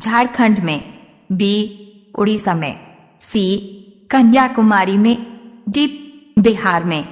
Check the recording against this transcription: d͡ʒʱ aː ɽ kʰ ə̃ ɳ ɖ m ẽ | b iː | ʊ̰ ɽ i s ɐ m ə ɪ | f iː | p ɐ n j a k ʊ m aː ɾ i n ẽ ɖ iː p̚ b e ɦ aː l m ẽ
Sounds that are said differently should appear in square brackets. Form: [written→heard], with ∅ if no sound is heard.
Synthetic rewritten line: d͡ʒʱ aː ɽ kʰ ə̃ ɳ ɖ m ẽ | b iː | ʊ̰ ɽ i s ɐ m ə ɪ | [f→s] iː | [p→k] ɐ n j a k ʊ m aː ɾ i [n→m] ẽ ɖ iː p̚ b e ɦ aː [l→ɾ] m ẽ